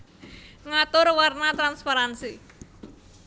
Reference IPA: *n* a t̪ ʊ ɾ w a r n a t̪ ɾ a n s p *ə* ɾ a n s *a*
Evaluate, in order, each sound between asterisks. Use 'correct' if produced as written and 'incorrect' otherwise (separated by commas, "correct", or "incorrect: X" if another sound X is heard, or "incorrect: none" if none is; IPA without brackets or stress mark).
incorrect: ŋ, incorrect: a, incorrect: i